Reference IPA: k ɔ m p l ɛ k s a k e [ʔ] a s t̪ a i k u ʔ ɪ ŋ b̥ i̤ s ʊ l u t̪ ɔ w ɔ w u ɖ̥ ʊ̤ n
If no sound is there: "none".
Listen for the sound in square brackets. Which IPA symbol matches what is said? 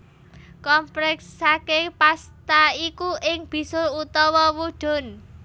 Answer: p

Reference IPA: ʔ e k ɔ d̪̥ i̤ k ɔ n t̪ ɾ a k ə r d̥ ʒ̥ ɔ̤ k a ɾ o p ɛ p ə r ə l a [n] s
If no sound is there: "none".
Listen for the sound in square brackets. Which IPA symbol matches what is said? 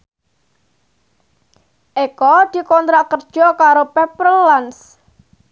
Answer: n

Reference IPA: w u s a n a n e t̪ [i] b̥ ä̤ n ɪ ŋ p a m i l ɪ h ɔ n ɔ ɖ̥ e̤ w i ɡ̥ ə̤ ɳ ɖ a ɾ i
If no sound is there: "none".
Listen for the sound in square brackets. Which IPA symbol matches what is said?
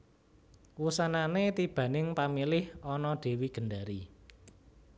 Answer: i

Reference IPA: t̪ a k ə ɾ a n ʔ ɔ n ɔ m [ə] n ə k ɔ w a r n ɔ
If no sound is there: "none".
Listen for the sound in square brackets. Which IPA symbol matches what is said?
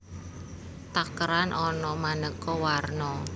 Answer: a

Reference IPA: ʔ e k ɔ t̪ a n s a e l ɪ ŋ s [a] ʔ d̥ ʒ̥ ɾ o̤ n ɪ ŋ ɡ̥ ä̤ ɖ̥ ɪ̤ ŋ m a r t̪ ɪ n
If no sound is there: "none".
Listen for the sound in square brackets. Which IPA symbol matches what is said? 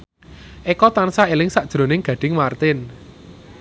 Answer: a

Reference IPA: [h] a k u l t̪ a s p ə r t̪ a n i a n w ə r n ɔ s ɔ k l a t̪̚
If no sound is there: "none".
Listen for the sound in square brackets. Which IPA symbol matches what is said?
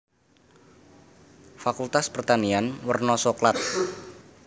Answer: f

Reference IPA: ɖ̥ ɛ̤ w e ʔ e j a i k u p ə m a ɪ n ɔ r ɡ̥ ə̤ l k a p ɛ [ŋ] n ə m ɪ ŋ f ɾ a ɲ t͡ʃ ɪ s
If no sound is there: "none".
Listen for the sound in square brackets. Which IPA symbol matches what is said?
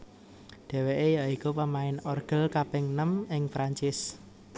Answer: ŋ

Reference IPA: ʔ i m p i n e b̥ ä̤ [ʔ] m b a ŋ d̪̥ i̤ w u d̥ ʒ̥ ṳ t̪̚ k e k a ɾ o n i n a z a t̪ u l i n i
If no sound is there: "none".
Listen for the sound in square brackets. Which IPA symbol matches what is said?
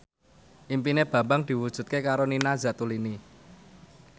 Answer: none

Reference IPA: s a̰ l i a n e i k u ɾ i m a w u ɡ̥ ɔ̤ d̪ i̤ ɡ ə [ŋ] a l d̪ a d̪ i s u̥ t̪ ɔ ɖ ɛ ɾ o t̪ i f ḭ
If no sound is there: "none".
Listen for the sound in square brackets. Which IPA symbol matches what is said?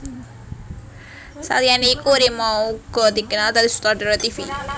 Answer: n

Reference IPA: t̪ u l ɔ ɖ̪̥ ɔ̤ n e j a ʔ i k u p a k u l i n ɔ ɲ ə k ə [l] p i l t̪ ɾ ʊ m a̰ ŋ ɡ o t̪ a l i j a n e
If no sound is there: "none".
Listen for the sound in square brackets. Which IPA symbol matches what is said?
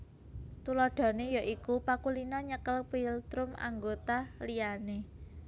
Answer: l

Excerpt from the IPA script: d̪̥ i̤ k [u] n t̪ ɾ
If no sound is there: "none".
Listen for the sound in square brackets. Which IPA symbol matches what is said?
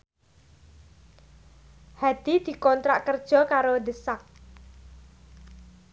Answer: ɔ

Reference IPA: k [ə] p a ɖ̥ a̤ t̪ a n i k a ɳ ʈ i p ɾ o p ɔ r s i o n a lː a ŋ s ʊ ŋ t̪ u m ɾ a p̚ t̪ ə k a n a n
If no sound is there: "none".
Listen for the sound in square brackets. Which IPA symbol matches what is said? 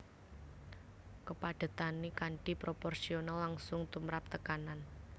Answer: ə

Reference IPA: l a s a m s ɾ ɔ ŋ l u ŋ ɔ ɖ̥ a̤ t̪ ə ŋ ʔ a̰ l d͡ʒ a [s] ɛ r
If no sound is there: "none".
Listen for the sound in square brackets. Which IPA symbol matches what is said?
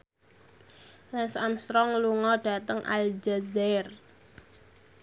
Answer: z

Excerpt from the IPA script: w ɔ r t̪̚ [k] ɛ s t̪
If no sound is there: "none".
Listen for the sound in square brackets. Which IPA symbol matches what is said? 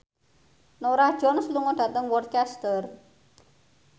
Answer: k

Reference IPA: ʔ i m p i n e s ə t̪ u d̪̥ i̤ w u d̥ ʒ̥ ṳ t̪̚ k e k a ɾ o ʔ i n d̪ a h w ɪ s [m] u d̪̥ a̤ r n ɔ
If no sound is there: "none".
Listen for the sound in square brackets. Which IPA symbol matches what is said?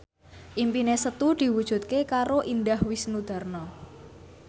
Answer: n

